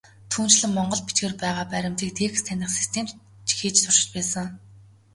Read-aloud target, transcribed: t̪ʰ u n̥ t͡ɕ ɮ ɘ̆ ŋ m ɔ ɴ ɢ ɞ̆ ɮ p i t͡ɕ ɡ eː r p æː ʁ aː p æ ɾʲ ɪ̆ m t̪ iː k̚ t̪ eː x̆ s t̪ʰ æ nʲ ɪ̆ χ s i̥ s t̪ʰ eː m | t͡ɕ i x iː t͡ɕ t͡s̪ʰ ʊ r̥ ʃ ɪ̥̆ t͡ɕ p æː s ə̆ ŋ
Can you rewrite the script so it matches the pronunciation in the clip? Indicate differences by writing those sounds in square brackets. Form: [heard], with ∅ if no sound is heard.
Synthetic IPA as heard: t̪ʰ [uː] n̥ t͡ɕ ɮ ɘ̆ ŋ m ɔ ɴ ɢ ɞ̆ ɮ p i t͡ɕ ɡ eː r p æː ʁ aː p æ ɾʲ ɪ̆ m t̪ iː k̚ [t̪ʰ] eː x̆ s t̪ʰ æ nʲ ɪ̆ χ s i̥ s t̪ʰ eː m | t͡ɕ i x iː t͡ɕ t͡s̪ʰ ʊ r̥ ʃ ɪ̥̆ t͡ɕ p æː s ə̆ ŋ

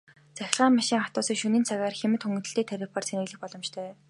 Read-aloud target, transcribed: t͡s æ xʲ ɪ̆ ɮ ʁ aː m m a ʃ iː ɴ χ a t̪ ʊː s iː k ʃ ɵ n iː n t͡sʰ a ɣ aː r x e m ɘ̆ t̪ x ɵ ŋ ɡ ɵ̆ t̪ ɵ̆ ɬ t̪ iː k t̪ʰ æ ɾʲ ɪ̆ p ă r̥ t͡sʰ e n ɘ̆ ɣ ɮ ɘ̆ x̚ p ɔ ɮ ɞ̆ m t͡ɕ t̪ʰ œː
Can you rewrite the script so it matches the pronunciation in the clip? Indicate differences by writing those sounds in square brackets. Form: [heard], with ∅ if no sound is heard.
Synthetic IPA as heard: t͡s æ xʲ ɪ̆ ɮ ʁ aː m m a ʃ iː [ŋ] χ a t̪ ʊː s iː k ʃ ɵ n iː n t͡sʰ a ɣ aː r x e m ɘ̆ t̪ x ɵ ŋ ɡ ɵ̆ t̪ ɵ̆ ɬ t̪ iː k t̪ʰ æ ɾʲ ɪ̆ p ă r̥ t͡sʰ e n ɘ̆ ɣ ɮ ɘ̆ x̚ p ɔ ɮ ɞ̆ m t͡ɕ t̪ʰ œː

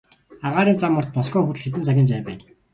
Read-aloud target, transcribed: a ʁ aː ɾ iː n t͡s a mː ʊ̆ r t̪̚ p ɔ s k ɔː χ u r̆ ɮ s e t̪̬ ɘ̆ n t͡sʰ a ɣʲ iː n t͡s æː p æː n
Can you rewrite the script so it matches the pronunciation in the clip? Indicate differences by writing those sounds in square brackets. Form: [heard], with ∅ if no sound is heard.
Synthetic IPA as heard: a ʁ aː ɾ iː n t͡s a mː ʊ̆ r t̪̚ p ɔ s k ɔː [x] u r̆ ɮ [x] e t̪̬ ɘ̆ n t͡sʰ a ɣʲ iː n t͡s æː p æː n

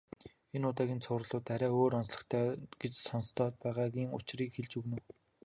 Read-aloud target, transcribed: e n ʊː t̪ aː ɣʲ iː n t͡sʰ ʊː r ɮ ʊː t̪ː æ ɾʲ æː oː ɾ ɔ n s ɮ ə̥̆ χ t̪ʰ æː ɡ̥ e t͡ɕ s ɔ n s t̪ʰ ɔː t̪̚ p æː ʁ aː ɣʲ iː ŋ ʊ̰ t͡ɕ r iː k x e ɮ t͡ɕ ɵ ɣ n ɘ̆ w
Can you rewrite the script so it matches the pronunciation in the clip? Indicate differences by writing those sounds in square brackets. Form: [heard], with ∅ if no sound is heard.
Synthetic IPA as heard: e n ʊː t̪ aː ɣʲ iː n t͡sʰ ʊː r ɮ ʊː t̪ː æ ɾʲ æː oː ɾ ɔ n s ɮ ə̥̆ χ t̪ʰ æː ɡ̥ e t͡ɕ s ɔ n s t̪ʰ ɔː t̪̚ p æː ʁ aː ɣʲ iː ŋ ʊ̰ t͡ɕ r iː k x e ɮ t͡ɕ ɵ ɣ n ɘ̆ w

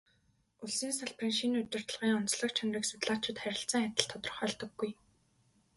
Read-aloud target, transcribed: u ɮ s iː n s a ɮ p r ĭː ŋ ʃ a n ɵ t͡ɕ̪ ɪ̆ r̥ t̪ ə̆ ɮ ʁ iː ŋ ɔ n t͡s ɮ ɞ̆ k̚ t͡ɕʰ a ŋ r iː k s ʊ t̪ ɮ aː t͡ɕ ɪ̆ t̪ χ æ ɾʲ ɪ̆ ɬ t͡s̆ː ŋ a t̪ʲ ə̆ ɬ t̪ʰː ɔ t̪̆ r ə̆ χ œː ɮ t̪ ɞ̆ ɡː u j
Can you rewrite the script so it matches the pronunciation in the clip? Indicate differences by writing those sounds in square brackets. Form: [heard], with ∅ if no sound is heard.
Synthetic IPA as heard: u ɮ s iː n s a ɮ p r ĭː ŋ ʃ [i] n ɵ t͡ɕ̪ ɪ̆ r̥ t̪ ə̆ ɮ ʁ iː ŋ ɔ n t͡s ɮ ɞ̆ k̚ t͡ɕʰ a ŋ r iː k s ʊ t̪ ɮ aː t͡ɕ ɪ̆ t̪ χ æ ɾʲ ɪ̆ ɬ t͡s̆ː ŋ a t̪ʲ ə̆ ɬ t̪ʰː ɔ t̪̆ r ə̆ χ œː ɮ t̪ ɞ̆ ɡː u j

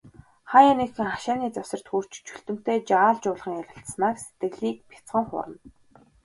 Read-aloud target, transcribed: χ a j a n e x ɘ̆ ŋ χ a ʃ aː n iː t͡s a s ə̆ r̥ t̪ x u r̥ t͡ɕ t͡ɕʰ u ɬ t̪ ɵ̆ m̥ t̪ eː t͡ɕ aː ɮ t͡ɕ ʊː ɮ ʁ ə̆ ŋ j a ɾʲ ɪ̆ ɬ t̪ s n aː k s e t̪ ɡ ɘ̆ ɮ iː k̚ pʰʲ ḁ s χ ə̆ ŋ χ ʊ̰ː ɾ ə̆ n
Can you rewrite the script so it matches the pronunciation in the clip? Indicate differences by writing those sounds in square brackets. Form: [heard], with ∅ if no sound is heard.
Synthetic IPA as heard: χ a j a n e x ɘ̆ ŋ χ a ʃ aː n iː t͡s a s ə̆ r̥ t̪ x u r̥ t͡ɕ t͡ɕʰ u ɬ t̪ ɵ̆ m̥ t̪ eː t͡ɕ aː ɮ t͡ɕ ʊː ɮ ʁ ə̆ ŋ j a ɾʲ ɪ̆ ɬ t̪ s n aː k s e t̪ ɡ ɘ̆ ɮ iː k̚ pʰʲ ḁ [t͡s] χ ə̆ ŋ χ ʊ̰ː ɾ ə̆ n

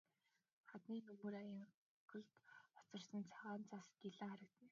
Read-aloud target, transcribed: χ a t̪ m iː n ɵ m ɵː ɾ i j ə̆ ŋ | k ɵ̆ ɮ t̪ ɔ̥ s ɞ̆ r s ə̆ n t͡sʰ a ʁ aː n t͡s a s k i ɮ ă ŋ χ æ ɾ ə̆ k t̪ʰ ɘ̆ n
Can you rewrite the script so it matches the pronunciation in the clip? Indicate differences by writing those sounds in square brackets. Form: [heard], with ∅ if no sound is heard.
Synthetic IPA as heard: χ a t̪ [n] iː n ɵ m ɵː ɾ [a] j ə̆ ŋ | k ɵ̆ ɮ t̪ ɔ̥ [t͡s] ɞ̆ r s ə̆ n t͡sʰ a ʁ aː n t͡s a s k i ɮ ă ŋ χ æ ɾ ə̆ k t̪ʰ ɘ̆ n

